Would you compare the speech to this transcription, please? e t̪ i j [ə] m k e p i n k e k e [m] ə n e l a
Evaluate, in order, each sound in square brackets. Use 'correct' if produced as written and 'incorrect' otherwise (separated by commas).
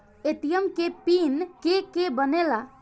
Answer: correct, incorrect